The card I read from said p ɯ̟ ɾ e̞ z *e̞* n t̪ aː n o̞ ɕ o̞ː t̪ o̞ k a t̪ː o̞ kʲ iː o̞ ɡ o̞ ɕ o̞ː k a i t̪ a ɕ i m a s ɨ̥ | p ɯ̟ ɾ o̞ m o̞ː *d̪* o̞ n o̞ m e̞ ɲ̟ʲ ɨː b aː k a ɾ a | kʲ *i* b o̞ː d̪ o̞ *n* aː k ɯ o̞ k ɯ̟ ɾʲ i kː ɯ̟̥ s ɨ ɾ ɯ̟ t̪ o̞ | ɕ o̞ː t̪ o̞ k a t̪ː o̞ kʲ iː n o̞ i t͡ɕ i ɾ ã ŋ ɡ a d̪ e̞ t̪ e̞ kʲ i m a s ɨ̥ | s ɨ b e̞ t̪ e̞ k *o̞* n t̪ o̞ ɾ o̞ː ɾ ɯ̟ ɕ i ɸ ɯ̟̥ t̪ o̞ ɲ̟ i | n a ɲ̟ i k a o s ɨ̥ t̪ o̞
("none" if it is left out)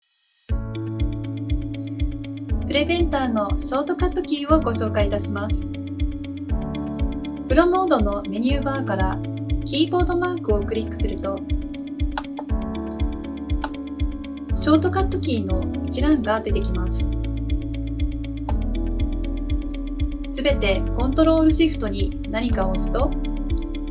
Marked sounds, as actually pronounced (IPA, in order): ẽ̞, d̪, iː, m, õ̞

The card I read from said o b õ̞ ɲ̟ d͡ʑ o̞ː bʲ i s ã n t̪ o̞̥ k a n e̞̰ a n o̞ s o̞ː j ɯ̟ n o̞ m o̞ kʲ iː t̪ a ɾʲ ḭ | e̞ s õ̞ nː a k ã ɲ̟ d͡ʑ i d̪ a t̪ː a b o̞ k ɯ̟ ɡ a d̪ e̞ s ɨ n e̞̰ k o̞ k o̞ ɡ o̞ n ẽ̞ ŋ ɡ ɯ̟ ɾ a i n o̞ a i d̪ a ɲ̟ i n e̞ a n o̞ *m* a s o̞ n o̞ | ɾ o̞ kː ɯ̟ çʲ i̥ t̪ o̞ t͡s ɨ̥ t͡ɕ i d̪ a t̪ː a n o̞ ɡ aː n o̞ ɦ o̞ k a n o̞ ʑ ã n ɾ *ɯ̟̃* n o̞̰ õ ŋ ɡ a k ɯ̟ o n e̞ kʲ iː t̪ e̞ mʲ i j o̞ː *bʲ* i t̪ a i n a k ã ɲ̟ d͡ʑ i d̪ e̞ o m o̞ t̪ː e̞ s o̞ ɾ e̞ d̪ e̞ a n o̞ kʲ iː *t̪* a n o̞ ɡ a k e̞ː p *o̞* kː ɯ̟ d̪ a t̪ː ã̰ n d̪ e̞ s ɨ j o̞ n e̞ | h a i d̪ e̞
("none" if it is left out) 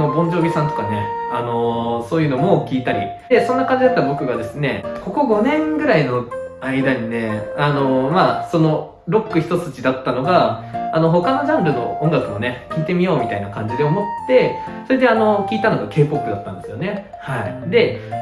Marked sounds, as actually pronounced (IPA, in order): m, ɯ̟, mʲ, t̪, o̞

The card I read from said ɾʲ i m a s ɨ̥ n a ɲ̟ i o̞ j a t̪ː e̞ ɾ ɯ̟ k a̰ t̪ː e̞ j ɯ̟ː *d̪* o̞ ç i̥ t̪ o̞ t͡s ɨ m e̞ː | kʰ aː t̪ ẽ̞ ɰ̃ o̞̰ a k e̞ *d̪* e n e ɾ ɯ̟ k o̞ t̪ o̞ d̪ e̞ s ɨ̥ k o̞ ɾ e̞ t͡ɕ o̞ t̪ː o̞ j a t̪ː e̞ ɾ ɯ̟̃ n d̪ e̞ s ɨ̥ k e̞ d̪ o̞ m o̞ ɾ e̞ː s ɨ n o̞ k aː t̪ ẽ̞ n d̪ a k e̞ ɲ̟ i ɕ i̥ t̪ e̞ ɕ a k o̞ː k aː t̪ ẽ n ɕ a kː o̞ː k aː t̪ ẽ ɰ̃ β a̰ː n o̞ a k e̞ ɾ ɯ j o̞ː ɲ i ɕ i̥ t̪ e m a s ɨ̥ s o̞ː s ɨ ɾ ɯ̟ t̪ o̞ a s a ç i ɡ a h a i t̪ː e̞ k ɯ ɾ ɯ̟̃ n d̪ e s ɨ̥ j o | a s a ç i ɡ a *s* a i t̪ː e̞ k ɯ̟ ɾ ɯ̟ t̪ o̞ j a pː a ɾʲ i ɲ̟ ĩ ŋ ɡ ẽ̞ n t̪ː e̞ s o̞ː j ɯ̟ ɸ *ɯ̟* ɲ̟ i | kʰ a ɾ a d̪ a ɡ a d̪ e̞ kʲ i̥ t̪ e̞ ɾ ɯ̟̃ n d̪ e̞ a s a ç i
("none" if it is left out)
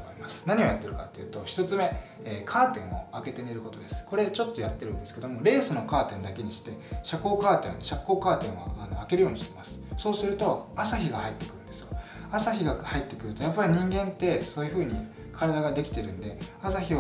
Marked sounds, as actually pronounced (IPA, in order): t̪, t̪, h, ɯ̟ː

